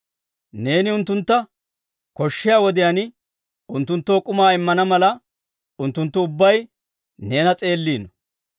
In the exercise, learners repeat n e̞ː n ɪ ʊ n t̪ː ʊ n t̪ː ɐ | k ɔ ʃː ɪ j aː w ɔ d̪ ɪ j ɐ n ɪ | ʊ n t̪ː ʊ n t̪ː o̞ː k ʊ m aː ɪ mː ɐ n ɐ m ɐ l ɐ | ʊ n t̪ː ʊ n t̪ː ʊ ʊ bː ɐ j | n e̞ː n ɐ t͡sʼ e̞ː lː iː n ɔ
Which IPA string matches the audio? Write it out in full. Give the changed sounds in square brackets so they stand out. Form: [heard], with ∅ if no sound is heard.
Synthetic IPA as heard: n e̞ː n ɪ ʊ n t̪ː ʊ n t̪ː ɐ | k ɔ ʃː ɪ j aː w ɔ d̪ ɪ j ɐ n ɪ | ʊ n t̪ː ʊ n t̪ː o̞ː [kʼ] ʊ m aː ɪ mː ɐ n ɐ m ɐ l ɐ | ʊ n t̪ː ʊ n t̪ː ʊ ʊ bː ɐ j | n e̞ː n ɐ t͡sʼ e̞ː lː iː n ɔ